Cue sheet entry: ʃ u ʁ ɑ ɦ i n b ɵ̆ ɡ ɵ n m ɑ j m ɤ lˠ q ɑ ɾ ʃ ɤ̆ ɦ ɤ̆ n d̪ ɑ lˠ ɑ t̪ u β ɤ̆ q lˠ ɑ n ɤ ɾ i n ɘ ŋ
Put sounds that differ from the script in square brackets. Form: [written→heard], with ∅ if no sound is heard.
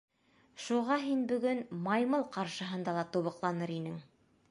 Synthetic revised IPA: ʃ u ʁ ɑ ɦ i n b ɵ̆ ɡ ɵ n m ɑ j m ɤ lˠ q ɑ ɾ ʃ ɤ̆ ɦ ɤ̆ n d̪ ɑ lˠ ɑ t̪ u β ɤ̆ q lˠ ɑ n ɤ ɾ i n ɘ ŋ